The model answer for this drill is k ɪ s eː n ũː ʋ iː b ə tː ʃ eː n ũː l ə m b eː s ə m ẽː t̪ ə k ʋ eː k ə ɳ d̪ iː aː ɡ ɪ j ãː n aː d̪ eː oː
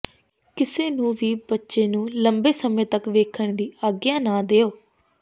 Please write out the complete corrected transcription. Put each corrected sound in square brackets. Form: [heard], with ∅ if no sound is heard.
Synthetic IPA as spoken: k ɪ s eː n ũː ʋ iː b ə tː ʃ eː n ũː l ə m b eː s ə m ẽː t̪ ə k ʋ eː [kʰ] ə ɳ d̪ iː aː ɡ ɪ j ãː n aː d̪ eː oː